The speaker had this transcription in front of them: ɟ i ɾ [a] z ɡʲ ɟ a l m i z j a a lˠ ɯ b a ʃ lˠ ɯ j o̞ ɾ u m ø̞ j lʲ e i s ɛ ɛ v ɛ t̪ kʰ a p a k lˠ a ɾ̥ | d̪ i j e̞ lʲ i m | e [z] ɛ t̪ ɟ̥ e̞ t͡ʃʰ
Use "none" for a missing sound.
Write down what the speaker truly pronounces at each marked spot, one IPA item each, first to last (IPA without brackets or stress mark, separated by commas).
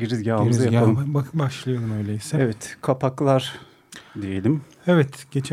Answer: i, v